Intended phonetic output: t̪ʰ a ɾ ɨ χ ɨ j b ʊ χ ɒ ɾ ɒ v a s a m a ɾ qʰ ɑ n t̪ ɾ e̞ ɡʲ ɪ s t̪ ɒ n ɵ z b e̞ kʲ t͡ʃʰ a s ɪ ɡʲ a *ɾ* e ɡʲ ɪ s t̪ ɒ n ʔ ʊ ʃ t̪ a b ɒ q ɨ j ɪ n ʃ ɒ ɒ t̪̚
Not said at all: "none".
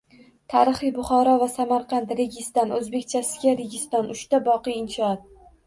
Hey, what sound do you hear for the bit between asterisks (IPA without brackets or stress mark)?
ɾ